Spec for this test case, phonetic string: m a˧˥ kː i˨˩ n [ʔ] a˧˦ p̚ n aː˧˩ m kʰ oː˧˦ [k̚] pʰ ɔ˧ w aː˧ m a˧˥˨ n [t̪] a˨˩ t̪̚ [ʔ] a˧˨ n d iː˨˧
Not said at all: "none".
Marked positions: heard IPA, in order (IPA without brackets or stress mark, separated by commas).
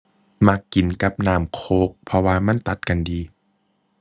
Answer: k, k̚, t̪, k